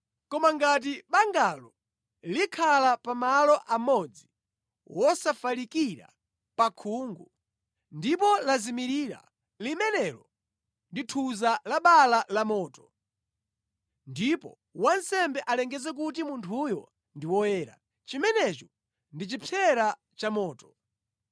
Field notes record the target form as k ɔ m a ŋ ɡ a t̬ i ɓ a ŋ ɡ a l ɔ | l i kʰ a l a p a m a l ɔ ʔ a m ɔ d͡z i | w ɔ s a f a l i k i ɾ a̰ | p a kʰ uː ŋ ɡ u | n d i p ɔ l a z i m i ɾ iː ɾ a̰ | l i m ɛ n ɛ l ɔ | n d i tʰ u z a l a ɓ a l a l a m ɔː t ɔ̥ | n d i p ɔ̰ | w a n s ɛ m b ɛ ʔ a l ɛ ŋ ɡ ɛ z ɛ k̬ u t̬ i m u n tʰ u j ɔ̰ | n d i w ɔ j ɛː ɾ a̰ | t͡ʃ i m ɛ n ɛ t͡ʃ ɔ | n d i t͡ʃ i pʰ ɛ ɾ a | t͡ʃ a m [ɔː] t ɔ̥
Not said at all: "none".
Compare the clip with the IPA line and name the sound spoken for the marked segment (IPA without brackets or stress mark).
ɔː